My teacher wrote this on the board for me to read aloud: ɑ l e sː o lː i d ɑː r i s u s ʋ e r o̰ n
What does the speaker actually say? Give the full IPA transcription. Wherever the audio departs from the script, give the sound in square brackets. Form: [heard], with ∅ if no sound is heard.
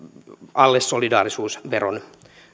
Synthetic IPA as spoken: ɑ [lː] e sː o [l] i d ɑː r i s [uː] s ʋ e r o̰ n